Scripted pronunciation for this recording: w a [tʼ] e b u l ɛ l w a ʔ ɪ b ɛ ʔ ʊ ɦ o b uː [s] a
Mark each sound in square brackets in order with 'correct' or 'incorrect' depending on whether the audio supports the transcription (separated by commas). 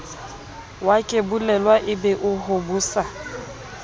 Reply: incorrect, correct